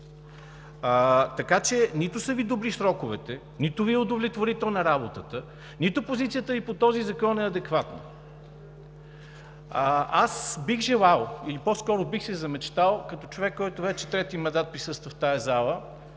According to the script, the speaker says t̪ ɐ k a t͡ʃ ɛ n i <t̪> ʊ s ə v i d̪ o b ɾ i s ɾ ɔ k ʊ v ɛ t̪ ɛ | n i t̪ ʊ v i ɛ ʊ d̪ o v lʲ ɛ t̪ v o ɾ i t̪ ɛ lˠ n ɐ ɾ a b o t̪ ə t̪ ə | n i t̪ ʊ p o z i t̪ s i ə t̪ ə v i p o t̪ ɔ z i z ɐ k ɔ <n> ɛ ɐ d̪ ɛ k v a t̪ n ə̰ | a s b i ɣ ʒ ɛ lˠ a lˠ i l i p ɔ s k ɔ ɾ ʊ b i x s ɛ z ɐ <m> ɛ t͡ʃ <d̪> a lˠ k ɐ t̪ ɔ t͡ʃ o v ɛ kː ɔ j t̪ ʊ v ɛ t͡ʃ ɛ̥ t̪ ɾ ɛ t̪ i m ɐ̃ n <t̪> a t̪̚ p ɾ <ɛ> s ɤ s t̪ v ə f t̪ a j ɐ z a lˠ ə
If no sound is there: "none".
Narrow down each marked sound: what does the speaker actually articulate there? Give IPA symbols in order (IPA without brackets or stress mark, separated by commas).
t̪, n, m, t̪, d̪, i